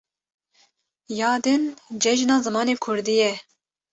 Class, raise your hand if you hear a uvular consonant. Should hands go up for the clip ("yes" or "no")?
no